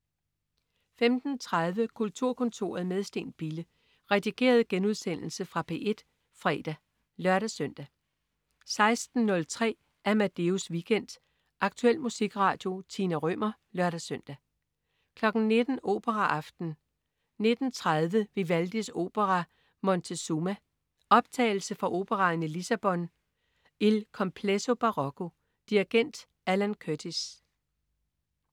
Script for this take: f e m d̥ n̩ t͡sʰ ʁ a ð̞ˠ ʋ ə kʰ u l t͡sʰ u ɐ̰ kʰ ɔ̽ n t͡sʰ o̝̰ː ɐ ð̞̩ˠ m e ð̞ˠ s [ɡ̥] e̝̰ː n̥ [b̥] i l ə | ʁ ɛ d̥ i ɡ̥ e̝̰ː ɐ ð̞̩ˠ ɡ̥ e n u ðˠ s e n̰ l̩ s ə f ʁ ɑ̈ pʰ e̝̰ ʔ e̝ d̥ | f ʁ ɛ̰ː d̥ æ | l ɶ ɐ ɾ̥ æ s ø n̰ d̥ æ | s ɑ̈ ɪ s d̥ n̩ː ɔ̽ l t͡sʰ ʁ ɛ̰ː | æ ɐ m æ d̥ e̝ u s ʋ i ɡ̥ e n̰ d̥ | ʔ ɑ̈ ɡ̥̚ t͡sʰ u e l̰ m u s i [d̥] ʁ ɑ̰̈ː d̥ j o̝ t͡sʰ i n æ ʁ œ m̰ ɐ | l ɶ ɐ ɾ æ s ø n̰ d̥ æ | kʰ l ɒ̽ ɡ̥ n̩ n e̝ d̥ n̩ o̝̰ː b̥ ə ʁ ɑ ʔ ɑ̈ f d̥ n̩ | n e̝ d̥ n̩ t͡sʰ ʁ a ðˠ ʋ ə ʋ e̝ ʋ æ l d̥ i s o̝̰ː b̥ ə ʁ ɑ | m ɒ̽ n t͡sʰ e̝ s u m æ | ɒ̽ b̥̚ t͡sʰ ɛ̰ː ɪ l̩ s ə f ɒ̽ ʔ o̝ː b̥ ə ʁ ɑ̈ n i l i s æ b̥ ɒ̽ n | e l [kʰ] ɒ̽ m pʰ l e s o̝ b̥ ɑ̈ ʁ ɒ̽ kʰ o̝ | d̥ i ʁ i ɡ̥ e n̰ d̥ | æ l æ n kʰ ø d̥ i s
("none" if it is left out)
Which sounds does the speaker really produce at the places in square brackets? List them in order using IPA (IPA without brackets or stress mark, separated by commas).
d̥, b̥, ɡ̥, kʰ